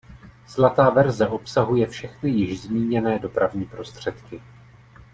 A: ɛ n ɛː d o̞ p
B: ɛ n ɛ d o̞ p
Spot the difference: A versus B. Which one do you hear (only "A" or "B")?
A